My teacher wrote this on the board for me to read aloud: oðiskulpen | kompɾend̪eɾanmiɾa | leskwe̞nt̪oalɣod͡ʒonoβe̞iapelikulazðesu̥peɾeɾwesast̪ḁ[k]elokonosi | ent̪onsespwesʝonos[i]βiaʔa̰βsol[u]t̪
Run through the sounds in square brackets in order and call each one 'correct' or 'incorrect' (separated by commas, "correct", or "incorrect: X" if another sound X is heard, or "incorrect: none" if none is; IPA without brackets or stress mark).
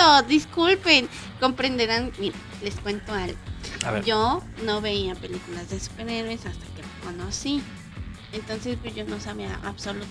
correct, incorrect: a, correct